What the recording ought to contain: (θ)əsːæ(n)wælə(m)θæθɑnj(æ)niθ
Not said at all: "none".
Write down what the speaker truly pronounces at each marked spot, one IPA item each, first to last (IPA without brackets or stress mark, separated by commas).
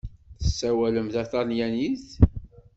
θ, none, m, æ